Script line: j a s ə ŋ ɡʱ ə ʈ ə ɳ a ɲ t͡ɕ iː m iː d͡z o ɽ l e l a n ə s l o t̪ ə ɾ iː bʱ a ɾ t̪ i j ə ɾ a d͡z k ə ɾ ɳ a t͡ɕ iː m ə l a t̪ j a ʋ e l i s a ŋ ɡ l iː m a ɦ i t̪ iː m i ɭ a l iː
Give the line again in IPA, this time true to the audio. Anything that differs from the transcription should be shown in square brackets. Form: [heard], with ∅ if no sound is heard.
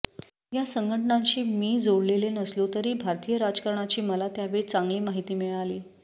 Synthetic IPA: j a s ə ŋ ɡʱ ə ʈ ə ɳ a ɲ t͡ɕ iː m iː d͡z o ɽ l e l [e] n ə s l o t̪ ə ɾ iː bʱ a ɾ t̪ i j ə ɾ a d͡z k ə ɾ ɳ a t͡ɕ iː m ə l a t̪ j a ʋ e [ɭ] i [t͡s] a ŋ ɡ l iː m a ɦ i t̪ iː m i ɭ a l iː